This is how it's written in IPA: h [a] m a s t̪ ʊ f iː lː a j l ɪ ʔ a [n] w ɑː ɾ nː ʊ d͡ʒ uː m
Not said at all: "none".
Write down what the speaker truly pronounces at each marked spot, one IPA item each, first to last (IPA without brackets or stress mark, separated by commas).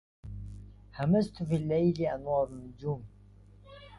a, n